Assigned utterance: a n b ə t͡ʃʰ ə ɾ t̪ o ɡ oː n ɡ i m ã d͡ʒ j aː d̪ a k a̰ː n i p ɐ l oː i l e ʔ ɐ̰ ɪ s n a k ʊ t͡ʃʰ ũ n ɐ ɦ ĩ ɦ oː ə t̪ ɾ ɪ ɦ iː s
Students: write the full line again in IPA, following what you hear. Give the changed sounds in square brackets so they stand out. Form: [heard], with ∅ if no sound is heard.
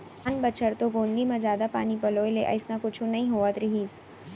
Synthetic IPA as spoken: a n b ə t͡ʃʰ ə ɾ t̪ o ɡ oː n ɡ i m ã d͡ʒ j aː d̪ a [p] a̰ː n i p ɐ l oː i l e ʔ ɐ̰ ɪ s n a k ʊ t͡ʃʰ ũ n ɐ ɦ ĩ ɦ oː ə t̪ ɾ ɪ ɦ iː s